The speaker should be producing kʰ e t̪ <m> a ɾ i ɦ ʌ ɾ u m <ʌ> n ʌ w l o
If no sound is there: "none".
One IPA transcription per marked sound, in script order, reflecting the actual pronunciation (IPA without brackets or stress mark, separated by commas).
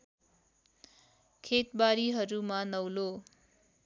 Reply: b, a